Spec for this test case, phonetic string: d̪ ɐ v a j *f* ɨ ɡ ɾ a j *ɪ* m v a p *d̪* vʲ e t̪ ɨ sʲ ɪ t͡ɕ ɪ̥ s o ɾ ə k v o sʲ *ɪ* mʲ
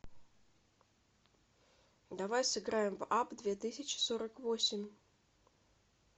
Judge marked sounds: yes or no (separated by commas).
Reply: no, yes, yes, yes